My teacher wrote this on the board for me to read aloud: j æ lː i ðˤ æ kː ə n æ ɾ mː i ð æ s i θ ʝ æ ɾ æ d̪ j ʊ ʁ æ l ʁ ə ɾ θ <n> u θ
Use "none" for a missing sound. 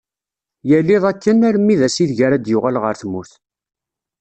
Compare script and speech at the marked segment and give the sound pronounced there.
m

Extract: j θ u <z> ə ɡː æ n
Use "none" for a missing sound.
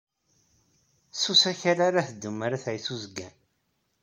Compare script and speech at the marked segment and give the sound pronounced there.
z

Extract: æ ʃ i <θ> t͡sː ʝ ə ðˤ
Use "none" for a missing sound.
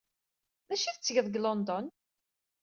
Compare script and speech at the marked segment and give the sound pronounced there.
θ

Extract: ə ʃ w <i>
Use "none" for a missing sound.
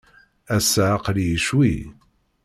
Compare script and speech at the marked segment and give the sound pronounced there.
i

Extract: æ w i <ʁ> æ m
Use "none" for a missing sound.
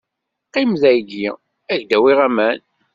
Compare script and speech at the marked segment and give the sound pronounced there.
ʁ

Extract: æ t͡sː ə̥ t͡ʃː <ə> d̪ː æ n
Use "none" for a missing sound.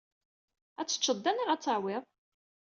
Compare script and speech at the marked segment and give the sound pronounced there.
ə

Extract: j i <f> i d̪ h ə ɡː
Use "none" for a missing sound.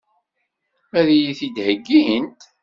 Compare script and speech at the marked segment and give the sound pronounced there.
θ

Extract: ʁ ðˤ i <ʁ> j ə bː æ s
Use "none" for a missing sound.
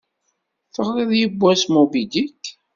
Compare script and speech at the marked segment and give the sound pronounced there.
ð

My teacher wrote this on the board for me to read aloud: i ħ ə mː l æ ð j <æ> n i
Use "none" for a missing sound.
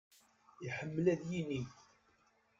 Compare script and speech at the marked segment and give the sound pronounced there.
i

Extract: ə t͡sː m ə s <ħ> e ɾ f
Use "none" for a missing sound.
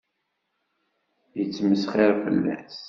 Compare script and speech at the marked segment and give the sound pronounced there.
χ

